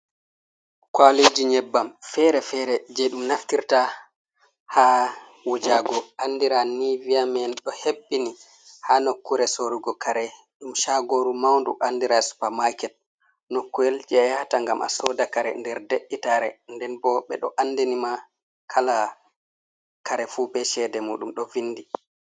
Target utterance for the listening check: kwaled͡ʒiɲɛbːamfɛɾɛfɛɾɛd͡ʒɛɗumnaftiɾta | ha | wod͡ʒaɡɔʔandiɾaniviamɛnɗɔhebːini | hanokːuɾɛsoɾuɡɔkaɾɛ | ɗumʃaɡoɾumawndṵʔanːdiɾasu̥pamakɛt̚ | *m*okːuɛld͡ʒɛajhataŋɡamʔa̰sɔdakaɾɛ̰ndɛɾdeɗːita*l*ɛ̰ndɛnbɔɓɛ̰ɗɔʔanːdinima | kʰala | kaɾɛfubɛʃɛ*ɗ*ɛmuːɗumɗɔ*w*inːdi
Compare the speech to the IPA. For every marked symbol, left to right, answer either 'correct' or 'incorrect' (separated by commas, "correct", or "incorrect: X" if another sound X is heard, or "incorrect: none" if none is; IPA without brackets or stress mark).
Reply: incorrect: n, incorrect: ɾ, incorrect: d, incorrect: v